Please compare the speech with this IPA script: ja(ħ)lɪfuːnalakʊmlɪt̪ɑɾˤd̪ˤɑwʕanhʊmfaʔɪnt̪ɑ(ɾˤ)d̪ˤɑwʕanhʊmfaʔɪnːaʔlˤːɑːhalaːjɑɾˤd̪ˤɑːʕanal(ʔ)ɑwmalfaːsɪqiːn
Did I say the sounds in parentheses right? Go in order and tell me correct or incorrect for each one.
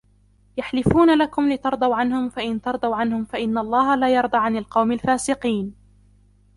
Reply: correct, correct, incorrect: q

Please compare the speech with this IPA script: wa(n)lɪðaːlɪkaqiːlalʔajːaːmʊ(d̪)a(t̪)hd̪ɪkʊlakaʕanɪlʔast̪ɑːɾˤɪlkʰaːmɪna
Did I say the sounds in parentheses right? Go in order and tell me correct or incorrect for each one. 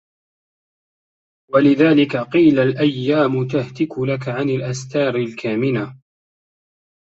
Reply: incorrect: none, incorrect: t̪, incorrect: none

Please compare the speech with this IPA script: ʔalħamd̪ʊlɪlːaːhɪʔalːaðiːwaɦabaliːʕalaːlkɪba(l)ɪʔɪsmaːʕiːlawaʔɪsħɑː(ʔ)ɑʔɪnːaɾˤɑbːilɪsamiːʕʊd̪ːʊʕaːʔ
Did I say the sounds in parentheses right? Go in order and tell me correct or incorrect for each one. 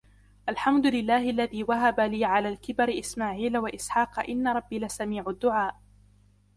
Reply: incorrect: ɾ, incorrect: q

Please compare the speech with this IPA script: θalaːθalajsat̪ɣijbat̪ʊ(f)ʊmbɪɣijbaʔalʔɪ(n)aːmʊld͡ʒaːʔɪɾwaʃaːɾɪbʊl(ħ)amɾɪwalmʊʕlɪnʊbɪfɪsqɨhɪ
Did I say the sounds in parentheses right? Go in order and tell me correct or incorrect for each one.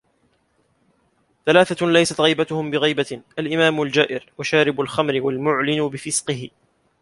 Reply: incorrect: h, incorrect: m, incorrect: x

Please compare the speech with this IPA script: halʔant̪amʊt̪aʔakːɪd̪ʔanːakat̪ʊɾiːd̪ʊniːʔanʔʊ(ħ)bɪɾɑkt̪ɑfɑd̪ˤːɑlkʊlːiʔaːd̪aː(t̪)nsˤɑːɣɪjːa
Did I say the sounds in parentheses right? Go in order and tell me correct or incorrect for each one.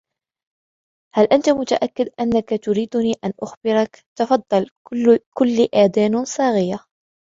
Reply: incorrect: x, incorrect: none

